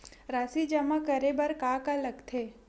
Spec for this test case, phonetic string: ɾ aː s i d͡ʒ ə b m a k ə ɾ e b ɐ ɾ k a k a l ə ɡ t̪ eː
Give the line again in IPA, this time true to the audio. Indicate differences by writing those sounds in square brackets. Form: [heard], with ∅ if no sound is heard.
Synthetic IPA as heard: ɾ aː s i d͡ʒ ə [∅] m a k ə ɾ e b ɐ ɾ k a k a l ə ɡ [t̪ʰ] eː